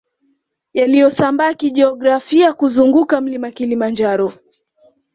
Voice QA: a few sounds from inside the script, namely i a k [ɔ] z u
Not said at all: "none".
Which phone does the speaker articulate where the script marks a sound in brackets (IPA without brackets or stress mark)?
u